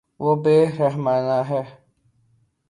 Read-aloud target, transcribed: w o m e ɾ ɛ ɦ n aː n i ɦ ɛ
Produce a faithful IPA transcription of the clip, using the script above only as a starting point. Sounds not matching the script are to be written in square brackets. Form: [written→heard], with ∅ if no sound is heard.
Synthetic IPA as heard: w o [m→b] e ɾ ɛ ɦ [n→m] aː n [i→a] ɦ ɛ